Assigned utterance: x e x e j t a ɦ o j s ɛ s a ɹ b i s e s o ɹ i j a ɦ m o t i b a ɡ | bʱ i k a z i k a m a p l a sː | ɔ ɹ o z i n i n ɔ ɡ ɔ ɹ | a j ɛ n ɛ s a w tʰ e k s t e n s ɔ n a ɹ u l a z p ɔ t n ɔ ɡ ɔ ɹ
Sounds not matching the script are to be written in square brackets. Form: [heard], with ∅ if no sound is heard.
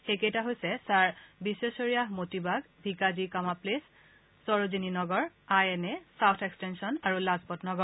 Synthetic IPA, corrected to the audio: x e [k] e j t a ɦ o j s ɛ s a ɹ b i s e s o ɹ i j a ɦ m o t i b a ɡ | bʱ i k a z i k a m a p l [e] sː | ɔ ɹ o z i n i n ɔ ɡ ɔ ɹ | a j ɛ n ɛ s a w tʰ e k s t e n s ɔ n a ɹ u l a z p ɔ t n ɔ ɡ ɔ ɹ